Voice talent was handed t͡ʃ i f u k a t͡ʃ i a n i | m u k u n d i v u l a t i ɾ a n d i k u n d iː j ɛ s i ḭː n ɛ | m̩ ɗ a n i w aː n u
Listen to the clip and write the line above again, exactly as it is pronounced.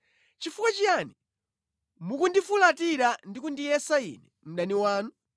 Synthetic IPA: t͡ʃ i f u k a t͡ʃ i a n i | m u k u n d i f u l a t i ɾ a n d i k u n d i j ɛ s a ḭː n ɛ | m̩ ɗ a n i w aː n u